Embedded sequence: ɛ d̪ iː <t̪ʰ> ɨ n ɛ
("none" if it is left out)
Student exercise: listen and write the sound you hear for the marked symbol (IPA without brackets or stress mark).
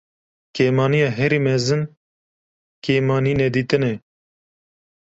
t̪